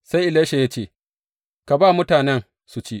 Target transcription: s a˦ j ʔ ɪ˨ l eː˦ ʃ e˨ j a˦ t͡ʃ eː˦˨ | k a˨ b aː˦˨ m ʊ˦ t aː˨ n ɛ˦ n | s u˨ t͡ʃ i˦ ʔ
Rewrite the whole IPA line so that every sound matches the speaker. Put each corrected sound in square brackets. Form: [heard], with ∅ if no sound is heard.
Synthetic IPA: s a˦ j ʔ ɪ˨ l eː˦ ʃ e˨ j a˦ t͡ʃ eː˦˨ | k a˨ b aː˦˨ m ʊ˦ t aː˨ n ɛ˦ n | s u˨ t͡ʃ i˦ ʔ